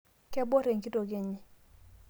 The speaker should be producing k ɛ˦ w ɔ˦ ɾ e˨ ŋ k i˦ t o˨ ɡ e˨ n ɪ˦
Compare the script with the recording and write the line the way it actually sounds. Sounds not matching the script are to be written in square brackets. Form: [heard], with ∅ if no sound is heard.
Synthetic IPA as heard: k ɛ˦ [b] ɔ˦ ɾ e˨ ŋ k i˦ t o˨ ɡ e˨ [ɲ] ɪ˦